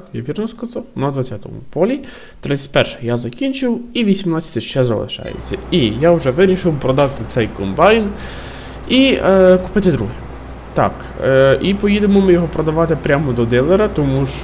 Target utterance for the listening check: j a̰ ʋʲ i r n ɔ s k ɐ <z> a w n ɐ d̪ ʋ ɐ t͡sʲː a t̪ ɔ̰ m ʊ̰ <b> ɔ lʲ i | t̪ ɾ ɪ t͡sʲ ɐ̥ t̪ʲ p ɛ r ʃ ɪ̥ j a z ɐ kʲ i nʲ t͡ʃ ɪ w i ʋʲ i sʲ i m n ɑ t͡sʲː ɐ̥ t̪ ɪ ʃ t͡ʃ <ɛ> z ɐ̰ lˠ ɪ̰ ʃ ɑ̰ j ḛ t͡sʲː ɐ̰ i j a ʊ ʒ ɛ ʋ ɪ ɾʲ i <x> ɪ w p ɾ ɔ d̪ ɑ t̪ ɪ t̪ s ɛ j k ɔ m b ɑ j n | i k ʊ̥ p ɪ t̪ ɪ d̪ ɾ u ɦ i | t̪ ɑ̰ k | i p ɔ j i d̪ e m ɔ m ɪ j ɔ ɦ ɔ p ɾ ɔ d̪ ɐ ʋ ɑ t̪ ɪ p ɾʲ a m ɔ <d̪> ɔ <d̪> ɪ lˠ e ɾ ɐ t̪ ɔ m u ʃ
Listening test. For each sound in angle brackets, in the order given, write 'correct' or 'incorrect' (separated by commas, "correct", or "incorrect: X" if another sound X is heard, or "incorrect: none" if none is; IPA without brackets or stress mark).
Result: correct, incorrect: p, correct, incorrect: ʃ, correct, correct